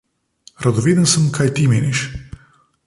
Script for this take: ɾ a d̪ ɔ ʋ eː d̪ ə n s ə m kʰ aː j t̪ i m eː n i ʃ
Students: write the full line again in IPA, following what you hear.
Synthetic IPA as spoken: ɾ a d̪ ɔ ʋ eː d̪ ə n s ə m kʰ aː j t̪ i m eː n i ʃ